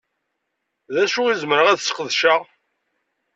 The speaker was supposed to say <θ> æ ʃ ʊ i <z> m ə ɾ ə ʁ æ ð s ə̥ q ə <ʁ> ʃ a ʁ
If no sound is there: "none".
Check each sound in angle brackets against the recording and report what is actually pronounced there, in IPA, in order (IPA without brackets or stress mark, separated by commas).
ð, z, ð